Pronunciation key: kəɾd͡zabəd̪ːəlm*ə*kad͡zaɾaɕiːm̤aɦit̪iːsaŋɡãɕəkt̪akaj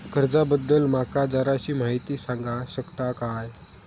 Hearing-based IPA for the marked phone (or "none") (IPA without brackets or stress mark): a